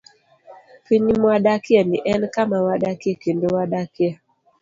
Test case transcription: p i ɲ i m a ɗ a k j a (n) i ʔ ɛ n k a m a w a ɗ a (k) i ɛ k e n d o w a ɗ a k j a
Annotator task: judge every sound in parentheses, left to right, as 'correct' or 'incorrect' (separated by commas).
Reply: correct, correct